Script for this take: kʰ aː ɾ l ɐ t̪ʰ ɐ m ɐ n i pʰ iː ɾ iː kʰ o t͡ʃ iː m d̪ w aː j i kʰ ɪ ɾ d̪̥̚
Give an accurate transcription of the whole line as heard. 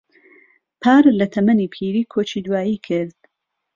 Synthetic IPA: pʰ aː ɾ l ɐ t̪ʰ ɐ m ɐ n i pʰ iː ɾ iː kʰ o t͡ʃ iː d̪ w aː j i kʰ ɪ ɾ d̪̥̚